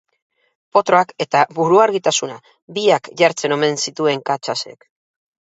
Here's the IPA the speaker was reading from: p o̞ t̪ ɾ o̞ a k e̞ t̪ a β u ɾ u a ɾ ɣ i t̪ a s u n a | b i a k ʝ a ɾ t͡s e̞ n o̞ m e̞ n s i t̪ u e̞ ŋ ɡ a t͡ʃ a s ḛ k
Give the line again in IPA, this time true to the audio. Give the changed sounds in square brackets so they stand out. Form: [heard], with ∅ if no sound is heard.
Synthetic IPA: p o̞ t̪ ɾ o̞ a k e̞ t̪ a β u ɾ u a ɾ ɣ i t̪ a s u n a | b i a k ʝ a ɾ t͡s e̞ n o̞ m e̞ n s i t̪ u e̞ ŋ [k] a t͡ʃ a s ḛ k